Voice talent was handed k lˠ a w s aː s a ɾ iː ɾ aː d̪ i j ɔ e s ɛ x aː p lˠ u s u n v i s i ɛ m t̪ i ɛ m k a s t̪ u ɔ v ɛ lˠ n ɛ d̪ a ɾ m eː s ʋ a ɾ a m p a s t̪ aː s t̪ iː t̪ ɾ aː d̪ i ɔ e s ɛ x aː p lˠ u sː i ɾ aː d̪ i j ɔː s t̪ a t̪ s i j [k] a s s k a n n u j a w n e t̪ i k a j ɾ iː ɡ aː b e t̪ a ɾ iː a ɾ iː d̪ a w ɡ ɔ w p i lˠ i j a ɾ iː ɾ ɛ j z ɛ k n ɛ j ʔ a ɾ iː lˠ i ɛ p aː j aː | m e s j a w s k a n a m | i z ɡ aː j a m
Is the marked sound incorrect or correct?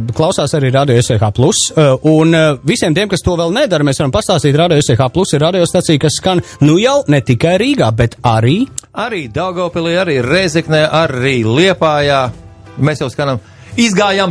correct